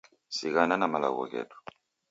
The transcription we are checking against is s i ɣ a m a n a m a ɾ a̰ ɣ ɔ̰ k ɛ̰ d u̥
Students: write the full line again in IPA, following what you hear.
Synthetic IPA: s i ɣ a n a n a m a l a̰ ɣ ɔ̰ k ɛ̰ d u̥